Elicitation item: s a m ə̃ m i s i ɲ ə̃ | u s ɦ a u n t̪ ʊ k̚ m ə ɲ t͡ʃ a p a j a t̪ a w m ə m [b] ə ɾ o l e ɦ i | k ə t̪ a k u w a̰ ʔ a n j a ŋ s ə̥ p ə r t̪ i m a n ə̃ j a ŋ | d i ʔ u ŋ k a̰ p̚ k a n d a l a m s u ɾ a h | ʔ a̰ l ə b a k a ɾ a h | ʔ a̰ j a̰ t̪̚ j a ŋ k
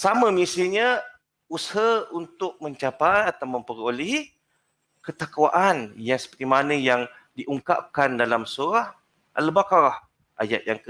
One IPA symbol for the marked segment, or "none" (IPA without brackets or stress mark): p